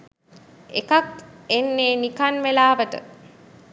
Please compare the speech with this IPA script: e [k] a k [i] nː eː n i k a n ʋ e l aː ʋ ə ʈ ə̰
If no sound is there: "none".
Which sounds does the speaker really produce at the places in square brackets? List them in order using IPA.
k, e

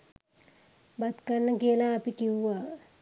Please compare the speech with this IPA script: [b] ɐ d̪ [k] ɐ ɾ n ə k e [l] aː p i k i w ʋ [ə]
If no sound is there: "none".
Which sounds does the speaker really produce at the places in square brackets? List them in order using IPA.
b, k, l, a

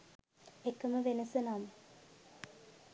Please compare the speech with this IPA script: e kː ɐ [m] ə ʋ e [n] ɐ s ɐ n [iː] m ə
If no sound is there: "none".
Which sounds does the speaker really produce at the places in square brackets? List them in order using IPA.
m, n, aː

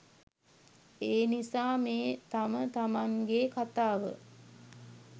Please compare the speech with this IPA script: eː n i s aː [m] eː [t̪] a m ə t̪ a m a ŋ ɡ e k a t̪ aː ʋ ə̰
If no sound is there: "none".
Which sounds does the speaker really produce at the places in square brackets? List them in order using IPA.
m, t̪

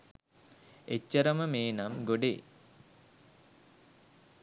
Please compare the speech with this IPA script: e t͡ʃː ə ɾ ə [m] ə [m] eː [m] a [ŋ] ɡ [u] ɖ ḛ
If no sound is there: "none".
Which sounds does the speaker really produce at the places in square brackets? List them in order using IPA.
m, m, n, m, o

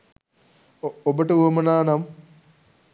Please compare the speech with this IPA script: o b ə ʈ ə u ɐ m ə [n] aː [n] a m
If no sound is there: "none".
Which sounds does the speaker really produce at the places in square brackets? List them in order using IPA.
n, n

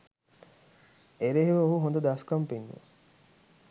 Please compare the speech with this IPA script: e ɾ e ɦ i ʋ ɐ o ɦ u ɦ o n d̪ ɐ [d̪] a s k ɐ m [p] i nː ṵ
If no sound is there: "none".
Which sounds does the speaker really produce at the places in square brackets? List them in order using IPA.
d̪, p

